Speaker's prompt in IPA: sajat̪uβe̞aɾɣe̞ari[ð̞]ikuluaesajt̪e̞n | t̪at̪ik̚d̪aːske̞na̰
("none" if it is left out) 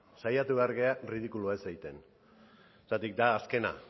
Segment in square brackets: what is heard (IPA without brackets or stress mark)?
ð̞